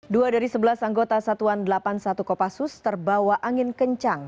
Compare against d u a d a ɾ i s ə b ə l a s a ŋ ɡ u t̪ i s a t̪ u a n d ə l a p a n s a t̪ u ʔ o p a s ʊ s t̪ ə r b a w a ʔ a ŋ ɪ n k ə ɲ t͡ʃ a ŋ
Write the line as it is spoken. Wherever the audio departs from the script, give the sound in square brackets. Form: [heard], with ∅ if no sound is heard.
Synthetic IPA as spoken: d u a d a ɾ i s ə b ə l a s a ŋ ɡ [o] t̪ [a] s a t̪ u a n d ə l a p a n s a t̪ u [k] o p a s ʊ s t̪ ə r b a w a ʔ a ŋ ɪ n k ə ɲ t͡ʃ a ŋ

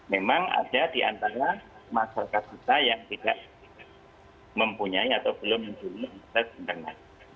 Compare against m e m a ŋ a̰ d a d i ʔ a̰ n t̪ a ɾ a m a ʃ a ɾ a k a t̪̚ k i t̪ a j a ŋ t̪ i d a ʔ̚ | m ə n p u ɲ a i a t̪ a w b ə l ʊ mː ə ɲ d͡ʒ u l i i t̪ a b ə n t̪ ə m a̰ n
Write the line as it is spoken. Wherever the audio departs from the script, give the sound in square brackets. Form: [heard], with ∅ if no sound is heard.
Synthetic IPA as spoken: m e m a ŋ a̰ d a d i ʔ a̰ n t̪ a ɾ a m a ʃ a ɾ a k a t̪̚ k i t̪ a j a ŋ t̪ i d a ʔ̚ | m ə [m] p u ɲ a i a t̪ a w b ə l ʊ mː ə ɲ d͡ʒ u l i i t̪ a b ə n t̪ ə [ŋ] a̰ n

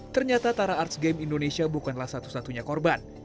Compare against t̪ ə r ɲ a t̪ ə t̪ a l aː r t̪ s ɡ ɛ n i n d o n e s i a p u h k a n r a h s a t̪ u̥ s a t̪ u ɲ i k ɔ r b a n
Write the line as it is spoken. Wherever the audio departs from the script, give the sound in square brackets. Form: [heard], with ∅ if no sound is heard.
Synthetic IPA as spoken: t̪ ə r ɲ a t̪ [a] t̪ a [ɾ] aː r t̪ s ɡ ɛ [m] i n d o n e s i a [b] u [∅] k a n [l] a h s a t̪ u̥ s a t̪ u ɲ [a] k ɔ r b a n

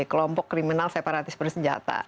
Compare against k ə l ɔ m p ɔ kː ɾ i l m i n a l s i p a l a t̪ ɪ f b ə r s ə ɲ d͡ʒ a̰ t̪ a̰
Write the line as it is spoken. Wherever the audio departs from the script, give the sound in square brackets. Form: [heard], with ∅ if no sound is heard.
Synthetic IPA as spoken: k ə l ɔ m p ɔ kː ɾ i [∅] m i n a l s [e] p a [ɾ] a t̪ ɪ [s] b ə r s ə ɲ d͡ʒ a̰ t̪ a̰

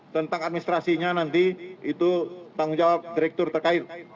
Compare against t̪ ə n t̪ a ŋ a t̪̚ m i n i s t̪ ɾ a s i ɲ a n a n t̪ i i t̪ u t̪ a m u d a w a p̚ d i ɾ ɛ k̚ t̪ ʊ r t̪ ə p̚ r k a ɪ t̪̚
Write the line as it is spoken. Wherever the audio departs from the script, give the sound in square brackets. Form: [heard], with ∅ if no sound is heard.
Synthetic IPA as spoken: t̪ ə n t̪ a ŋ a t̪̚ m i n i s t̪ ɾ a s i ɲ a n a n t̪ i i t̪ u t̪ a [ŋ] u [d͡ʒ] a w a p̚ d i ɾ ɛ k̚ t̪ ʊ r t̪ ə [∅] r k a ɪ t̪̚

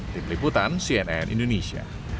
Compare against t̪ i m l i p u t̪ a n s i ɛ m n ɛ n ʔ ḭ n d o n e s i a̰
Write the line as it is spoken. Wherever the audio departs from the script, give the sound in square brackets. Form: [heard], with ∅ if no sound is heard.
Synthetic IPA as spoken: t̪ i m l i p u t̪ a n s i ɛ [∅] n ɛ n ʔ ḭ n d o n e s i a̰

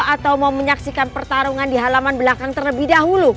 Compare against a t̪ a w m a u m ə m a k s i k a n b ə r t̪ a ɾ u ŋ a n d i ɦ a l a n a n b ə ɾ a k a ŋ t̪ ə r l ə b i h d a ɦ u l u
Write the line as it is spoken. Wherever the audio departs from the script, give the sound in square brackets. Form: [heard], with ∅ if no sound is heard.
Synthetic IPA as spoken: a t̪ a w m a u m ə [ɲ] a k s i k a n [p] ə r t̪ a ɾ u ŋ a n d i ɦ a l a [m] a n b ə [l] a k a ŋ t̪ ə r l ə b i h d a ɦ u l u

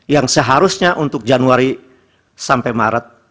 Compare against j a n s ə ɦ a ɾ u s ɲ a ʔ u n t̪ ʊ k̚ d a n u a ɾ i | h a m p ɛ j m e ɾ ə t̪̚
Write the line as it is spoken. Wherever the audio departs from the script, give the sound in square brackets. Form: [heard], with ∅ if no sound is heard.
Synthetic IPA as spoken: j a [ŋ] s ə ɦ a ɾ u s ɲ a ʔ u n t̪ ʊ k̚ [d͡ʒ] a n u a ɾ i | [s] a m p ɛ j m [a] ɾ ə t̪̚

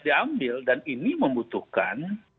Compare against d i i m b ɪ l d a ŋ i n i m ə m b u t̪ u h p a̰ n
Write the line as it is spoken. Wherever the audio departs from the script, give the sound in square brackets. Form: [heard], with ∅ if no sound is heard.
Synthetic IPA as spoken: d i [a] m b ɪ l d a [n] i n i m ə m b u t̪ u h [k] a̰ n

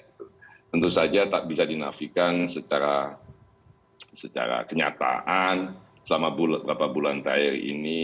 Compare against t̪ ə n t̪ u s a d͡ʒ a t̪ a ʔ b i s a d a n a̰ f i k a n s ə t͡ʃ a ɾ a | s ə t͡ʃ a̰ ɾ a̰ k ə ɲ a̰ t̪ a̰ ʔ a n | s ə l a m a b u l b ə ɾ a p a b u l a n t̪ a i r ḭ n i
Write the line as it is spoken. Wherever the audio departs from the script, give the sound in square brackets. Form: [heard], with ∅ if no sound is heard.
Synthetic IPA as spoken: t̪ ə n t̪ u s a d͡ʒ a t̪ a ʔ b i s a d [i] n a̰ f i k a n s ə t͡ʃ a ɾ a | s ə t͡ʃ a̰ ɾ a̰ k ə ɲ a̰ t̪ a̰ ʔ a n | s ə l a m a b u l b ə ɾ a p a b u l a n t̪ a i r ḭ n i

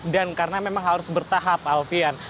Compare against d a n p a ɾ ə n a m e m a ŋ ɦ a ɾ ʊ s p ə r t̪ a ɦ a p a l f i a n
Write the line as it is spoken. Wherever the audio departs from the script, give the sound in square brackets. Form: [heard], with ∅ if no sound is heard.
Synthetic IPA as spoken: d a n [k] a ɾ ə n a m e m a ŋ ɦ a ɾ ʊ s [b] ə r t̪ a ɦ a p a l f i a n

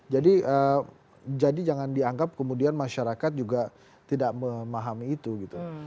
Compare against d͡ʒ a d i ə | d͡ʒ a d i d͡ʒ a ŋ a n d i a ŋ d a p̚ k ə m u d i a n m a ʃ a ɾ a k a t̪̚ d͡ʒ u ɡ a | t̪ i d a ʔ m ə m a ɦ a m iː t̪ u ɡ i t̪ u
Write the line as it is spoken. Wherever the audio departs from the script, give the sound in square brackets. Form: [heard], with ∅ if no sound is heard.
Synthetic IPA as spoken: d͡ʒ a d i ə | d͡ʒ a d i d͡ʒ a ŋ a n d i a ŋ [ɡ] a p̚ k ə m u d i a n m a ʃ a ɾ a k a t̪̚ d͡ʒ u ɡ a | t̪ i d a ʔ m ə m a ɦ a m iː t̪ u ɡ i t̪ u

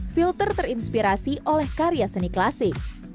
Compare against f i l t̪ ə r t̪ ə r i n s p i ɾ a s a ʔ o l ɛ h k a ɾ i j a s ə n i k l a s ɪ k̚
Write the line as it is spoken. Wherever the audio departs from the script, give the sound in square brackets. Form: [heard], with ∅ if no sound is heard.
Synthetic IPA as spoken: f i l t̪ ə r t̪ ə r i n s p i ɾ a s [i] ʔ o l ɛ h k a ɾ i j a s ə n i k l a s ɪ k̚

